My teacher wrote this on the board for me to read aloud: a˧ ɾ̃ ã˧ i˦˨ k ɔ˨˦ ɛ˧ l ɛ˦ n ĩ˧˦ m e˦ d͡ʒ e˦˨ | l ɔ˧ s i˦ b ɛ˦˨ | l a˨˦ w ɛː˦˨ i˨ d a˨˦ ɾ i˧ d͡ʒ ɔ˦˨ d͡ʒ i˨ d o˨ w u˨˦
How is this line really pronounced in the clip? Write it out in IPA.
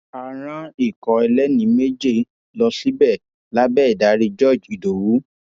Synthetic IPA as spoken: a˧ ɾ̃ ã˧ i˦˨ k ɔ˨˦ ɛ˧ l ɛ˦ n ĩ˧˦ m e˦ d͡ʒ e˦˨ | l ɔ˧ s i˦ b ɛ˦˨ | l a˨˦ b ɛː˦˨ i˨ d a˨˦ ɾ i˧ d͡ʒ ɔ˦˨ d͡ʒ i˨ d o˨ w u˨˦